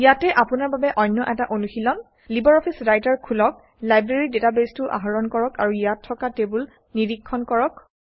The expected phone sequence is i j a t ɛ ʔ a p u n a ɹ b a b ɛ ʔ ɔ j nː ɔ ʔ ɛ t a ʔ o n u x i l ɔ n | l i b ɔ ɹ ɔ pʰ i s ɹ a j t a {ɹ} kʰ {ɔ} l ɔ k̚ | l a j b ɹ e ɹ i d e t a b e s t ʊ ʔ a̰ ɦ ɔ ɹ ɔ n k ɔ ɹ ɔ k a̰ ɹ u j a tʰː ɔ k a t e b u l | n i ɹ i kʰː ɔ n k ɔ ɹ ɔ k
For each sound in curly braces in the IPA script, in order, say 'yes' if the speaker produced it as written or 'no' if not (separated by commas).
yes, no